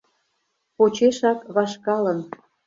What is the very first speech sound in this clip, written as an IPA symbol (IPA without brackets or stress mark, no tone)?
p